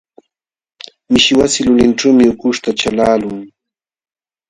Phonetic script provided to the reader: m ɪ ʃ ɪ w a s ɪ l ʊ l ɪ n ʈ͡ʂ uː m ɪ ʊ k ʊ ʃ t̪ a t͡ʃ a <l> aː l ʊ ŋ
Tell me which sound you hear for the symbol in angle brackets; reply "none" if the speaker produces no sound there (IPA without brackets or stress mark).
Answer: l